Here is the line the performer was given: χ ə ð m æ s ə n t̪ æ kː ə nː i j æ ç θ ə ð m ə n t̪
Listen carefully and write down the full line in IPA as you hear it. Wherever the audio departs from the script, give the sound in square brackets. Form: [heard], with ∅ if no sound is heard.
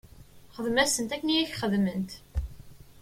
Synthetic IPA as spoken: χ ə ð m æ s ə n t̪ æ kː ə [n] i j æ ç [χ] ə ð m ə n t̪